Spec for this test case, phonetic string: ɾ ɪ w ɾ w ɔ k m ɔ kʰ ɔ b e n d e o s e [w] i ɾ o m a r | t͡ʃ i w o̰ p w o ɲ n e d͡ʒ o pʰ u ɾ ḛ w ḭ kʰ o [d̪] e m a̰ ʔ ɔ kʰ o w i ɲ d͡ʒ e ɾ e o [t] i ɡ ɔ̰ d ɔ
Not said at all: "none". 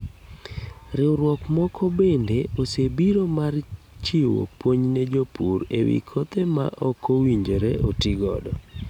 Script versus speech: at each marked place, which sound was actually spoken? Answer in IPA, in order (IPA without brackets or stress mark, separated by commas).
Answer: b, t̪, t